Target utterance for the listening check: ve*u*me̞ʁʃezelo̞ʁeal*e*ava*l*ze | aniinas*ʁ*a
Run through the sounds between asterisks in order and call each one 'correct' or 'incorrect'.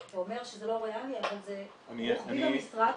incorrect, incorrect, correct, correct

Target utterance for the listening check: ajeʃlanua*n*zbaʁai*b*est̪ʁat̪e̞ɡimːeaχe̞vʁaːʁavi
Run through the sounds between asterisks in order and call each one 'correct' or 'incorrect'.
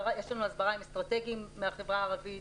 incorrect, incorrect

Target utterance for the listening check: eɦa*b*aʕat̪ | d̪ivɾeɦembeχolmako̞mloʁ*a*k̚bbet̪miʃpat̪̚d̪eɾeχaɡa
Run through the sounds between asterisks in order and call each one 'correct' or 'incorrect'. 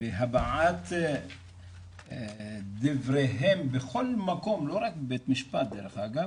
correct, correct

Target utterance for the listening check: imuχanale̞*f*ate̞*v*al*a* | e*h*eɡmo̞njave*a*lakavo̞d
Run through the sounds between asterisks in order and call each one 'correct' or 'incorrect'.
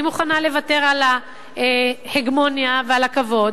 incorrect, incorrect, correct, correct, correct

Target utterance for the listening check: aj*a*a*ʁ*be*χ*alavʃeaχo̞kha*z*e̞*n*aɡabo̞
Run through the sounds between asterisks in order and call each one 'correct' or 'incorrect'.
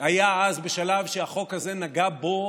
correct, incorrect, incorrect, correct, correct

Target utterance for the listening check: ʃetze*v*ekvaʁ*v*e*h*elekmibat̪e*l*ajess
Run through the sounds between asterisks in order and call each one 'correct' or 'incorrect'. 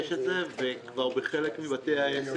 correct, incorrect, incorrect, incorrect

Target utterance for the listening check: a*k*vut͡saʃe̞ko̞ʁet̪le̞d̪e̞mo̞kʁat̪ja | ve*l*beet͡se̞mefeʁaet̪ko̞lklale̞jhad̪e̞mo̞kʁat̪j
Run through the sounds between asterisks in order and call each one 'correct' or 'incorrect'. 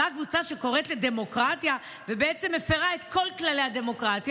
correct, incorrect

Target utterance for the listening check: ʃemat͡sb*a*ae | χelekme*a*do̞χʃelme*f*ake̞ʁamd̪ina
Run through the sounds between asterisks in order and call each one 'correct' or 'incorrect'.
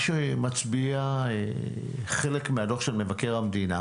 incorrect, correct, incorrect

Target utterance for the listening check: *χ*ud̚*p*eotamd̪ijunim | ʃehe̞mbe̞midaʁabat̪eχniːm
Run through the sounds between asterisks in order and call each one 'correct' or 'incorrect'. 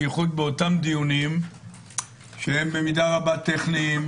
correct, incorrect

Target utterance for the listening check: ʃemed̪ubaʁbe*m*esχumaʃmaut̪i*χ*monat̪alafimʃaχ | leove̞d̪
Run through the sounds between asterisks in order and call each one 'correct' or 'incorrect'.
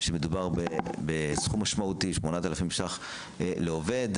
incorrect, incorrect

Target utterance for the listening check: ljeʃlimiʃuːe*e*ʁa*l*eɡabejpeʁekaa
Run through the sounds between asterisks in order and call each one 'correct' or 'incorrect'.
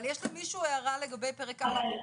incorrect, correct

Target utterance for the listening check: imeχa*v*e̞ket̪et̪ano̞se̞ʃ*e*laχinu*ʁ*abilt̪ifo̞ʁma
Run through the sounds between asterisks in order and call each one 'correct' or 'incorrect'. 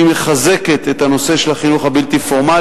incorrect, correct, incorrect

